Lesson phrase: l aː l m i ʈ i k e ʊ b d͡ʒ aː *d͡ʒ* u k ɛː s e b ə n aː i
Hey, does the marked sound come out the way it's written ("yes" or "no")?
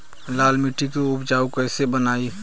no